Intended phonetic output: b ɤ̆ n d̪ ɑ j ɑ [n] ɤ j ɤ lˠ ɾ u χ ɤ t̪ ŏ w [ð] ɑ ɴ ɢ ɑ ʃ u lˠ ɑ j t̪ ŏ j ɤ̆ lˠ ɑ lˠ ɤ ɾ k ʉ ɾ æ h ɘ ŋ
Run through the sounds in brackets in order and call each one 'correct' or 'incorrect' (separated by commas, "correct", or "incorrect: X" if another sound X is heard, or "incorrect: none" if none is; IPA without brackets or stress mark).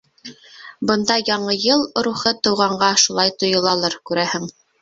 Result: incorrect: ɴ, incorrect: ʁ